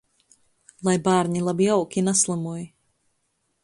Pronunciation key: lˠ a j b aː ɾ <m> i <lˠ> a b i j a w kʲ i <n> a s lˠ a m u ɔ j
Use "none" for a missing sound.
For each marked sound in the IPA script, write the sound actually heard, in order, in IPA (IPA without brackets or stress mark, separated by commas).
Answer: ɲ, lˠ, n